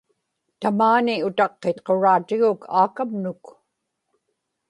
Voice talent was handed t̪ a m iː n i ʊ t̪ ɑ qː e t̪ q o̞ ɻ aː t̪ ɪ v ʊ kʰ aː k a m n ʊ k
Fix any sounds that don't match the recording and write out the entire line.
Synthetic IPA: t̪ a m aː n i ʊ t̪ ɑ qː e t̪ q o̞ ɻ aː t̪ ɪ ɣ ʊ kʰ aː k a m n ʊ k